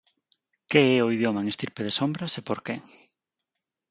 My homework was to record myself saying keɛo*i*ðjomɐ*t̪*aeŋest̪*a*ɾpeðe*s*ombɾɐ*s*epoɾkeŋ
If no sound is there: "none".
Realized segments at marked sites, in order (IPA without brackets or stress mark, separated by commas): i, none, i, s, s